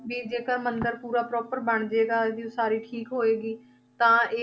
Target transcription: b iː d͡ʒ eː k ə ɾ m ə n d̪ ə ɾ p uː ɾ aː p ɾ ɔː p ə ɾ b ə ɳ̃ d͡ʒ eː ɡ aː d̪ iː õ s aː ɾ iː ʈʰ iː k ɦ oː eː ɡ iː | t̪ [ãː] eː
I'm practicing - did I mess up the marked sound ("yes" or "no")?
no